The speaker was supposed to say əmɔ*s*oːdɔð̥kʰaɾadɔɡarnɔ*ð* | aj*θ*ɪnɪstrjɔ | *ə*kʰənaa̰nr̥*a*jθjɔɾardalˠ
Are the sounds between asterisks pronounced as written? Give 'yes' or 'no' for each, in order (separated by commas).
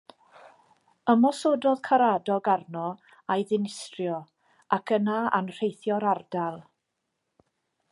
yes, no, no, no, no